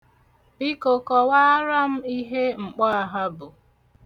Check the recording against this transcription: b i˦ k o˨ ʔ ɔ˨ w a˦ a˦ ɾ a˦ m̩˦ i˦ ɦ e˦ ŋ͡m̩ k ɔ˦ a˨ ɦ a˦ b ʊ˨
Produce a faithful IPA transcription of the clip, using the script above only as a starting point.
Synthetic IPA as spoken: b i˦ k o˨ k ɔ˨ w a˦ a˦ ɾ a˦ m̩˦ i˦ ɦ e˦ ŋ͡m̩ k͡p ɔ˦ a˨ ɦ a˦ b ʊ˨